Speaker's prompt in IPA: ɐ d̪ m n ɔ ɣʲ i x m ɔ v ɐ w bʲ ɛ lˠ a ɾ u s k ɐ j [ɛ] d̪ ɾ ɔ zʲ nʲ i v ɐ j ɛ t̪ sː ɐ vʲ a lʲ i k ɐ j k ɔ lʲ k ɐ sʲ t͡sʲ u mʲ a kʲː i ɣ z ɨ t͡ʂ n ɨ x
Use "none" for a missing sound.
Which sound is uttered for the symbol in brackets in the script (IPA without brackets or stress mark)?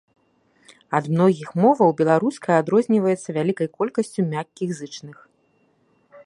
a